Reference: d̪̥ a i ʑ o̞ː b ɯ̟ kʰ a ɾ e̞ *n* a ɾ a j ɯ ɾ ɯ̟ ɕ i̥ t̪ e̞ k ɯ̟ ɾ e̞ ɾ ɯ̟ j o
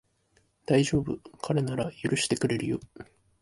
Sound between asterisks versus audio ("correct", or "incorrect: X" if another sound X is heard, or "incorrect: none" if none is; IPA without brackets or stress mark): correct